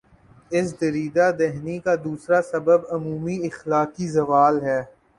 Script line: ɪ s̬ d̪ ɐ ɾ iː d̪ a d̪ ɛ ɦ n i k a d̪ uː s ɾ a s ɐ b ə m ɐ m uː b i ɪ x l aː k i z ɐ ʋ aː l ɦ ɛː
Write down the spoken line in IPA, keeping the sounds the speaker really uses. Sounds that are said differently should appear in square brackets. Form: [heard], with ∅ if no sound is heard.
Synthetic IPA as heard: ɪ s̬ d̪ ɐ ɾ iː d̪ a d̪ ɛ ɦ n i k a d̪ uː s ɾ a s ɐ b ə [b] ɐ m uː [m] i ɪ x l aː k i z ɐ ʋ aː l ɦ ɛː